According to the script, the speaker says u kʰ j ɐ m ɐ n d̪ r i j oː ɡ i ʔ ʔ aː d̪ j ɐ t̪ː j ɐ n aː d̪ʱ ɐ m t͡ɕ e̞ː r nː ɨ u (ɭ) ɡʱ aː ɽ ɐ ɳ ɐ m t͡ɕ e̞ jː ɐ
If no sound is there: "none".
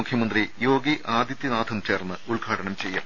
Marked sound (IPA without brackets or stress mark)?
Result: ɭ